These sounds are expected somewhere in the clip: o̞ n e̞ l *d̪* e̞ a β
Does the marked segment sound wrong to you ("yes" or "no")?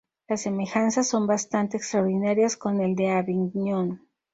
no